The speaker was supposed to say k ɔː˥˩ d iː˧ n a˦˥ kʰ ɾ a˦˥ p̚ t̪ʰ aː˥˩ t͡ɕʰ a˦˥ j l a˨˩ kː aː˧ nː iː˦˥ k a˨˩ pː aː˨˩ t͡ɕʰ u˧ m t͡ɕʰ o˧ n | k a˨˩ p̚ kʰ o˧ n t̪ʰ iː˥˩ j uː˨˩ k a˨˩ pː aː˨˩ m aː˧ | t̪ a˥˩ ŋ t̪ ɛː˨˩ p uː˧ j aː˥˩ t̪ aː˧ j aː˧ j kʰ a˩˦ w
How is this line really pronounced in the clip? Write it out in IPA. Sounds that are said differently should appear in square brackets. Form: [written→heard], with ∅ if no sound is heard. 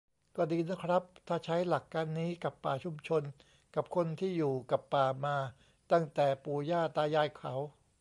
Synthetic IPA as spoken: k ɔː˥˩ d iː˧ n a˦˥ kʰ ɾ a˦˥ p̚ t̪ʰ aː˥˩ t͡ɕʰ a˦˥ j l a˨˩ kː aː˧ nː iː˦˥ k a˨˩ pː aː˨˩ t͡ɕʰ u˧ m t͡ɕʰ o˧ n | k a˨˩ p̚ kʰ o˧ n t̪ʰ iː˥˩ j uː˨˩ k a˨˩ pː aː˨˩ m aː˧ | t̪ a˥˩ ŋ t̪ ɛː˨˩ p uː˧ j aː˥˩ t̪ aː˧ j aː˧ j kʰ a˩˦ w